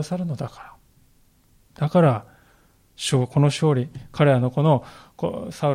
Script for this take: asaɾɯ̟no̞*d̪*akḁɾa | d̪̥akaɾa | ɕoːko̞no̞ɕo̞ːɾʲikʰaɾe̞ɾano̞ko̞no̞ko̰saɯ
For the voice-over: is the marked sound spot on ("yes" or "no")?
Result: yes